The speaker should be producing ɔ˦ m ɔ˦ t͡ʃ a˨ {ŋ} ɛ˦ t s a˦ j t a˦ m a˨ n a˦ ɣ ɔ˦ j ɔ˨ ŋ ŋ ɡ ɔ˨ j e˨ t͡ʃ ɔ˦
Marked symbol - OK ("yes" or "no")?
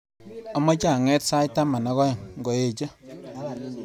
yes